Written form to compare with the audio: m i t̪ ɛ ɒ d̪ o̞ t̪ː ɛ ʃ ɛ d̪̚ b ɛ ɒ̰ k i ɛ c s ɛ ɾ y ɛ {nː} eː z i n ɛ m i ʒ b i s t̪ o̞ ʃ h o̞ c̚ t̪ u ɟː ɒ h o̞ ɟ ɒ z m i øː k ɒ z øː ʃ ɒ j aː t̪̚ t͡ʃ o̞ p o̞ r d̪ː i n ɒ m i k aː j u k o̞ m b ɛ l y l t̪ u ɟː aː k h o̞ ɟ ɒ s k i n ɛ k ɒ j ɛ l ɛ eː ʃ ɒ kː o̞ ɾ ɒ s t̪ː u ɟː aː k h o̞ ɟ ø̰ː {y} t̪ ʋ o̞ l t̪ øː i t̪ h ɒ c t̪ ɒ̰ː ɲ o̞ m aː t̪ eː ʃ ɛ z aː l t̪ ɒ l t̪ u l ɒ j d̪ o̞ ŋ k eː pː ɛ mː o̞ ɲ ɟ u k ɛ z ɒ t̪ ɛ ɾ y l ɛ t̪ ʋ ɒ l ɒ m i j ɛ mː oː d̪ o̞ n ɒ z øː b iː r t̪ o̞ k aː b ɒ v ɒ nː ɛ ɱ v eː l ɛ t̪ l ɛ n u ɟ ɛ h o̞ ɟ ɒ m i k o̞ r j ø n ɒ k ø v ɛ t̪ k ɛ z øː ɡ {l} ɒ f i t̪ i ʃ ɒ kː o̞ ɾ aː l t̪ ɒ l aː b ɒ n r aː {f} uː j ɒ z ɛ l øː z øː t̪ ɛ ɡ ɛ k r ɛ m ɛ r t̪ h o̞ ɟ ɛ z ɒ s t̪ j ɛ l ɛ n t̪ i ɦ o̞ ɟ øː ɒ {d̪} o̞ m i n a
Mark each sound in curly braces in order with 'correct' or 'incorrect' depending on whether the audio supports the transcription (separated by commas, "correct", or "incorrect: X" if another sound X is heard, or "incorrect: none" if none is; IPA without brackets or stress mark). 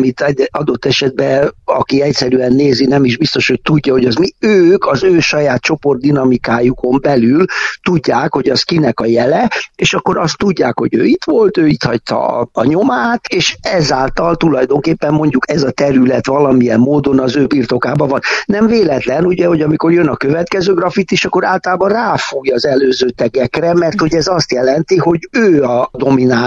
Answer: correct, incorrect: i, incorrect: r, correct, correct